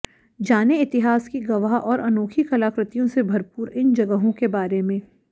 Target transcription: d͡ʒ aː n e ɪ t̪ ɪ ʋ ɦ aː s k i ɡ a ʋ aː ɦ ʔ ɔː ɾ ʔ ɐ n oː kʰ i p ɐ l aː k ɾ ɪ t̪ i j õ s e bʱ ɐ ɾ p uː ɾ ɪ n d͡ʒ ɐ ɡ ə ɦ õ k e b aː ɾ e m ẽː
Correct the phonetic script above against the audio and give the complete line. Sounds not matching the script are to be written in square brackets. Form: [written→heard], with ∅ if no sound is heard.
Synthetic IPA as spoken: d͡ʒ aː n e ɪ t̪ ɪ [ʋ→∅] ɦ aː s k i ɡ [a→ɐ] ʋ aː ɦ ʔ ɔː ɾ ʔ ɐ n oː kʰ i [p→k] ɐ l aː k ɾ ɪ t̪ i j õ s e bʱ ɐ ɾ p uː ɾ ɪ n d͡ʒ ɐ ɡ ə ɦ õ k e b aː ɾ e m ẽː